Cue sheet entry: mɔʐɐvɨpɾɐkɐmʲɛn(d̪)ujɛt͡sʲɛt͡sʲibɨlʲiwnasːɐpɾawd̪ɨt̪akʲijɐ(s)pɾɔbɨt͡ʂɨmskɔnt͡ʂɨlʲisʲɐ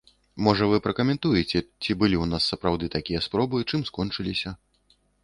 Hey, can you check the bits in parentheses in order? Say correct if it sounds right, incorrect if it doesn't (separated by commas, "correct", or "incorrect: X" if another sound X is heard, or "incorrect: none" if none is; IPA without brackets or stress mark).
incorrect: t̪, correct